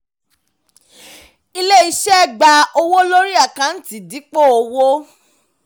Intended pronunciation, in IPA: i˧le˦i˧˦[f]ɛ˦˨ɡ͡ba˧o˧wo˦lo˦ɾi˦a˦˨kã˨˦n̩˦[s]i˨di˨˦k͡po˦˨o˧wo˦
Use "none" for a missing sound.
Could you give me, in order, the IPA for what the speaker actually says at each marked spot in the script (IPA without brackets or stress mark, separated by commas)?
ʃ, t